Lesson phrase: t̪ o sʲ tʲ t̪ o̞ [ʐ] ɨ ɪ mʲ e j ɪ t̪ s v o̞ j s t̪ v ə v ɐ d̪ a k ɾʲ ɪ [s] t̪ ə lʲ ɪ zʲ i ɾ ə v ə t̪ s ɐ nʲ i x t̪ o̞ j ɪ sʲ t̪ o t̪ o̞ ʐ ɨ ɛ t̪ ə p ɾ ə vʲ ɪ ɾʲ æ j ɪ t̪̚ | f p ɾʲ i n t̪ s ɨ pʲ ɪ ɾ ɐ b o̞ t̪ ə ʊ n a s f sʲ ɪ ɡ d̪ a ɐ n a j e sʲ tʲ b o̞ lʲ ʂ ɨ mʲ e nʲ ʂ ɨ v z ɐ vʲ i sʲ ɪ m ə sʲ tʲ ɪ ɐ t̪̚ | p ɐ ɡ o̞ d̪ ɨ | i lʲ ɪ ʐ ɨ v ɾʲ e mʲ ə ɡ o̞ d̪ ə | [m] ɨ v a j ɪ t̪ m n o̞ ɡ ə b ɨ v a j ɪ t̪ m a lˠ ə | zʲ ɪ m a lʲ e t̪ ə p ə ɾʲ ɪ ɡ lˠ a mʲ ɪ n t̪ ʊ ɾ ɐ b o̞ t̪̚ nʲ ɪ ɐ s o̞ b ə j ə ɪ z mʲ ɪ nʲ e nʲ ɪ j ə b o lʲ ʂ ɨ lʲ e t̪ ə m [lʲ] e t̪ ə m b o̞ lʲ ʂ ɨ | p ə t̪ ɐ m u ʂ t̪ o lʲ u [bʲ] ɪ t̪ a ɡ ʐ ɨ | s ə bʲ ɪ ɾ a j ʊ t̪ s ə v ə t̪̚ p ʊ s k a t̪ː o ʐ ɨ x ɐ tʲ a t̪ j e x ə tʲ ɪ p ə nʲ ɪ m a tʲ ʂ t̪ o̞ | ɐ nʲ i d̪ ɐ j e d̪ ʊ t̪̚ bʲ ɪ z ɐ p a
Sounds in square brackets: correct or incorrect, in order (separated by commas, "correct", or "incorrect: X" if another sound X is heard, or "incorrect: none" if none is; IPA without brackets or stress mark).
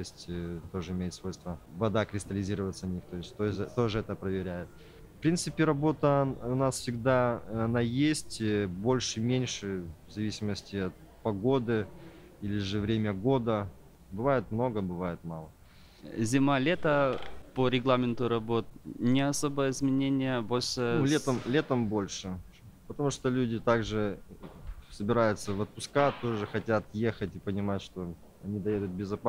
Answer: correct, correct, incorrect: b, correct, incorrect: dʲ